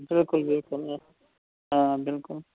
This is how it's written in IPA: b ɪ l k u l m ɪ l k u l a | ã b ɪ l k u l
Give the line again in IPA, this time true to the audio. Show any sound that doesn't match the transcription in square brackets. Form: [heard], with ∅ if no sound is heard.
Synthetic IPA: b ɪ l k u l [b] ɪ l k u l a | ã b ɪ l k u l

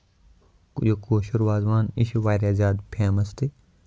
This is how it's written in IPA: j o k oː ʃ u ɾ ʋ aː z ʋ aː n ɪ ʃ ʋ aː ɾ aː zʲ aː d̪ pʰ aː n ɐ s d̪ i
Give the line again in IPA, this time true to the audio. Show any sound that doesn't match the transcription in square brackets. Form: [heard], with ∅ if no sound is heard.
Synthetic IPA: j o k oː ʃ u ɾ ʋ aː z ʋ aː n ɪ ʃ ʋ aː ɾ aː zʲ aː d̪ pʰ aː [m] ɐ s [t̪] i

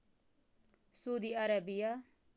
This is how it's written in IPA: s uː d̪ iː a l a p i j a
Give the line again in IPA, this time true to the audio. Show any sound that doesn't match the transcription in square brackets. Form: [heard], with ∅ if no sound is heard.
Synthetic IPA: s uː d̪ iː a [ɾ] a [b] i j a

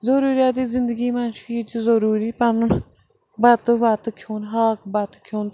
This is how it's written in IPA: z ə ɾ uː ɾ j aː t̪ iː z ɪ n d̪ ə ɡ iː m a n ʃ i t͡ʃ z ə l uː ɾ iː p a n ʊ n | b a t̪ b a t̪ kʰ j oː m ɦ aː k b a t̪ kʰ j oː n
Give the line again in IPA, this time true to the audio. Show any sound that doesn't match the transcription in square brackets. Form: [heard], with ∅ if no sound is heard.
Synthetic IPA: z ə ɾ uː ɾ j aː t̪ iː z ɪ n d̪ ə ɡ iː m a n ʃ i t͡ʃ z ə [ɾ] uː ɾ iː p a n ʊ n | b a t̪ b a t̪ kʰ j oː [n] ɦ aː k b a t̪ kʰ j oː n

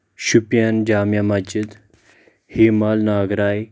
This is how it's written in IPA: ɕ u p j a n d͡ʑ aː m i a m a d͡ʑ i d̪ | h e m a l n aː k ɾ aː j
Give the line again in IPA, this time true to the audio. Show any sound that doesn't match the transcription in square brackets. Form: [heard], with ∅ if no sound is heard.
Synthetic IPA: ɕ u p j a n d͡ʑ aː m [j] a m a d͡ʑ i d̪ | h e m a l n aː [ɡ] ɾ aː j

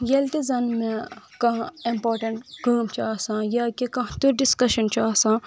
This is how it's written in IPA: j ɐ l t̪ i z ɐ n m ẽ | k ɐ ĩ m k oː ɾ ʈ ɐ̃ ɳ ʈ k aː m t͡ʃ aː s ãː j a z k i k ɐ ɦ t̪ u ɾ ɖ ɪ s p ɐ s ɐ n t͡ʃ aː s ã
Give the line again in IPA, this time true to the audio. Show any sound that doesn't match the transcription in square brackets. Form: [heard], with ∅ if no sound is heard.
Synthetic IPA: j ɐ l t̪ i z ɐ n m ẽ | k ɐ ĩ m [p] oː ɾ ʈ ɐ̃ ɳ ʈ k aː m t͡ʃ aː s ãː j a [∅] k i k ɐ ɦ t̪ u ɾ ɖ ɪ s [k] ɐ [ʃ] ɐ n t͡ʃ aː s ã

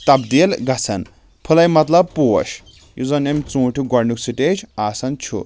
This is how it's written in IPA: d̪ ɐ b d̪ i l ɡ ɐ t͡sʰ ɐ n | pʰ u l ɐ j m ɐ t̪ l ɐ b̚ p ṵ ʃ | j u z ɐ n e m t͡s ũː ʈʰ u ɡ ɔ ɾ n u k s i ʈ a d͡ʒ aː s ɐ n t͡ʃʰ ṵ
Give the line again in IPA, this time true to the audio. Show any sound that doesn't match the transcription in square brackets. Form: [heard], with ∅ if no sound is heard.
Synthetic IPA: [t̪] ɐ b d̪ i l ɡ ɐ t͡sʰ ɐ n | pʰ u l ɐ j m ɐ t̪ l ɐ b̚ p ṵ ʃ | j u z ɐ n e m t͡s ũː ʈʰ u ɡ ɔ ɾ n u k s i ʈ [e] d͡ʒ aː s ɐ n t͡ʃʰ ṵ

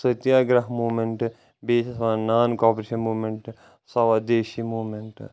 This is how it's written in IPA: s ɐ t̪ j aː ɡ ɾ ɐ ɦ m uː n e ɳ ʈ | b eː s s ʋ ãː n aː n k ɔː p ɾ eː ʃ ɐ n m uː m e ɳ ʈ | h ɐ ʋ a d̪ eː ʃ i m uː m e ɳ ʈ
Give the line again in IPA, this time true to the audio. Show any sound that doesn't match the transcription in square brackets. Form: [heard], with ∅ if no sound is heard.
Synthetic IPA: s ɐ t̪ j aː ɡ ɾ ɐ ɦ m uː [m] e ɳ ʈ | b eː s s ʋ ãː n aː n k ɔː p ɾ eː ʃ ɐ n m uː m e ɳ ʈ | [s] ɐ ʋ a d̪ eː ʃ i m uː m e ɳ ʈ

